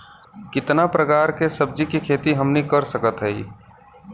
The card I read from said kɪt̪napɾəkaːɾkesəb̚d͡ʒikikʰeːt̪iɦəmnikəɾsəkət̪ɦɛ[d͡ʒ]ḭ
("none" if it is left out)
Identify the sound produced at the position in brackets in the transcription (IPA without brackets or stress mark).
none